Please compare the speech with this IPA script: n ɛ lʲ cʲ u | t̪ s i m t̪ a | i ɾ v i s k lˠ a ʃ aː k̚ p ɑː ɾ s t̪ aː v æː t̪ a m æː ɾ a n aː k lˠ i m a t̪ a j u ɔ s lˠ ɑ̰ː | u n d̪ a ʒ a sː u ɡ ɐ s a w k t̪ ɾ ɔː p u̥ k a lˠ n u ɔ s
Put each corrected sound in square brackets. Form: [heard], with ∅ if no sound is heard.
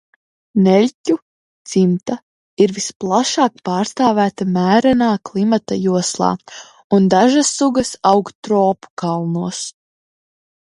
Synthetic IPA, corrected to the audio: n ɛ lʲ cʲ u | t̪ s i m t̪ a | i ɾ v i s [p] lˠ a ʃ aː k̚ p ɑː ɾ s t̪ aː v æː t̪ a m æː ɾ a n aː k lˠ i m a t̪ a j u ɔ s lˠ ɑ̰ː | u n d̪ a ʒ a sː u ɡ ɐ s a w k t̪ ɾ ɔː p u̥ k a lˠ n u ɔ s